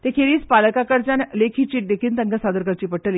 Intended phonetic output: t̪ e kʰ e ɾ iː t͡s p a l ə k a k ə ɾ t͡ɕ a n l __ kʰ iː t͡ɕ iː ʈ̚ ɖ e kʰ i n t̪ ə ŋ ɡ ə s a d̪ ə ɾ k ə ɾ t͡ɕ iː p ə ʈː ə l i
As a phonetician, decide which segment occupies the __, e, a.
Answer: e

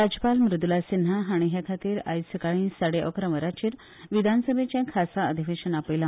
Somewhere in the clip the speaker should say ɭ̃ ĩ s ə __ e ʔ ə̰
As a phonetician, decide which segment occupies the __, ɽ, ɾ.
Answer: ɽ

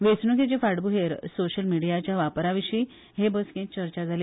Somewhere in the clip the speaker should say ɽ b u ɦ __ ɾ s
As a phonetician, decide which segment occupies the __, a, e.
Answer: e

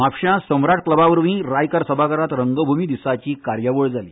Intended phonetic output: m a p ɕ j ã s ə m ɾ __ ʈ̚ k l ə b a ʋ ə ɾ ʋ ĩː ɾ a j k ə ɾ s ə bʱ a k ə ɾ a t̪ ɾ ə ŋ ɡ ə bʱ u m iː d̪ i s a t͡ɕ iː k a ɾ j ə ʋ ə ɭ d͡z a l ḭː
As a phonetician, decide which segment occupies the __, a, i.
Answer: a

